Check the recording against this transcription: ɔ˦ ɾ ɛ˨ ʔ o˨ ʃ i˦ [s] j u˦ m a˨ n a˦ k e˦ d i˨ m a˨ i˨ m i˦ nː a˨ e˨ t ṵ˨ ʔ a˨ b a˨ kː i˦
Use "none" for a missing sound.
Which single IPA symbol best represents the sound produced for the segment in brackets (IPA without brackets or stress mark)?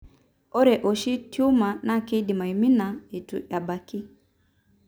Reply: t